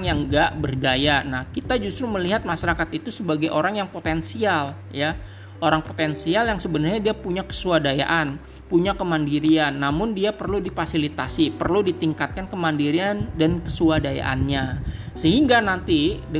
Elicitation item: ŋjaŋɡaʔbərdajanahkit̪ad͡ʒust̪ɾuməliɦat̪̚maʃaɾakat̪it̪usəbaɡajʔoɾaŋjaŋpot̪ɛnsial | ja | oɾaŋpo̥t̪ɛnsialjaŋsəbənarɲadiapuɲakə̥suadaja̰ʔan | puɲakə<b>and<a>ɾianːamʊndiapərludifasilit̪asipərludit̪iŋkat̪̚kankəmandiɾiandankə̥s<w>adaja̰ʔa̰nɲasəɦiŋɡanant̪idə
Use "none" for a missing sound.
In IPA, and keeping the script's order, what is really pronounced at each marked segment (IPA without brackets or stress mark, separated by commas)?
m, i, u